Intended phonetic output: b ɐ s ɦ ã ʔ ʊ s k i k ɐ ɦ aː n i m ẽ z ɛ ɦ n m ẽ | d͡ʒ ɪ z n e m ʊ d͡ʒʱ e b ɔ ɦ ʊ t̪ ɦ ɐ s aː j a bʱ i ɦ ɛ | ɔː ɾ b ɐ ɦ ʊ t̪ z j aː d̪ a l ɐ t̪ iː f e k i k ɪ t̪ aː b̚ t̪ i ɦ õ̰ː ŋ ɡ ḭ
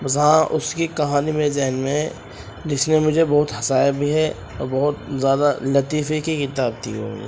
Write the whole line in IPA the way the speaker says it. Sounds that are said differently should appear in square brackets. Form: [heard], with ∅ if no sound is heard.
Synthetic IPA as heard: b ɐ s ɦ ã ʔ ʊ s k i k ɐ ɦ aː n i m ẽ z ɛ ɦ n m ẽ | d͡ʒ ɪ [s] n e m ʊ d͡ʒʱ e b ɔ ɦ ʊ t̪ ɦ ɐ s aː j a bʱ i ɦ ɛ | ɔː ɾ b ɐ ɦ ʊ t̪ z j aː d̪ a l ɐ t̪ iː f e k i k ɪ t̪ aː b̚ t̪ i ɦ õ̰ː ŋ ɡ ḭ